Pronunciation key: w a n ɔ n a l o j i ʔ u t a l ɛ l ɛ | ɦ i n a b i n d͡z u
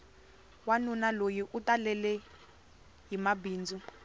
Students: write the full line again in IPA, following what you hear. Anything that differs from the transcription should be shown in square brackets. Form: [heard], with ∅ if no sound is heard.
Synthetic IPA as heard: w a n [u] n a l o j i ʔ u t a l ɛ l ɛ | ɦ i [m] a b [iː] n d͡z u